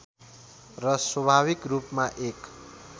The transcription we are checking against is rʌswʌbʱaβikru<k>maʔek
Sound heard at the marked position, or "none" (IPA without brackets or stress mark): p